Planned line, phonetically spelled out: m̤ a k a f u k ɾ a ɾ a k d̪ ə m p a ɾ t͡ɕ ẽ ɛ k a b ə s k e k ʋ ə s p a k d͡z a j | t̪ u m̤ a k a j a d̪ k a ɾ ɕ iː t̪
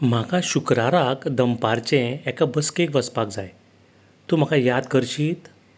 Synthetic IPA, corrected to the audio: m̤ a k a ɕ u k ɾ a ɾ a k d̪ ə m p a ɾ t͡ɕ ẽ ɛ k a b ə s k e k ʋ ə s p a k d͡z a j | t̪ u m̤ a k a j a d̪ k ə ɾ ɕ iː t̪